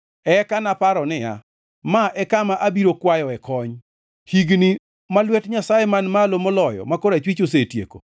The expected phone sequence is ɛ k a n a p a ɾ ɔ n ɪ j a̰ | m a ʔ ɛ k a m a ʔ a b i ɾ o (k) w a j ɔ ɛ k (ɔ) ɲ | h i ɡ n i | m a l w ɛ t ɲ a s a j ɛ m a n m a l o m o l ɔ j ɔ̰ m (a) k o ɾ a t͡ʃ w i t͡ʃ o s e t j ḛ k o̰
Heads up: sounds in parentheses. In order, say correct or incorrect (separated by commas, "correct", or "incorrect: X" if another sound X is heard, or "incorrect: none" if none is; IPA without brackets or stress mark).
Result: correct, correct, correct